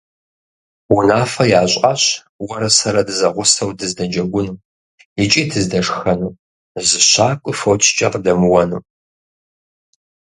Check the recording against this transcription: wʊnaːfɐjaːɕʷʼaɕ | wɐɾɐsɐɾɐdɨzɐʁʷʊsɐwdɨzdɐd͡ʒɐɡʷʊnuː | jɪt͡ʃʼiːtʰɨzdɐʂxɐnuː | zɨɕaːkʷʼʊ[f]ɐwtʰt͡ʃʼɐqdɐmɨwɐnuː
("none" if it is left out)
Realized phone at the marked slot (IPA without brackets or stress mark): f